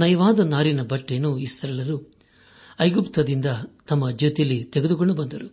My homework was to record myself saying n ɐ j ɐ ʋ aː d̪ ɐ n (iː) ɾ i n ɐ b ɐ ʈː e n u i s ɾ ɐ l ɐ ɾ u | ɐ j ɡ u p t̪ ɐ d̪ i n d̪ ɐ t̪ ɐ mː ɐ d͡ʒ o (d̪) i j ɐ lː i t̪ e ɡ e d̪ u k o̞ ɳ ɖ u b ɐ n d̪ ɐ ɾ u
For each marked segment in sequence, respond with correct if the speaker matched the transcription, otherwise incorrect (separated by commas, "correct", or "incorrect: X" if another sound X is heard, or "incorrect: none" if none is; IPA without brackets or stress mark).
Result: incorrect: aː, incorrect: t̪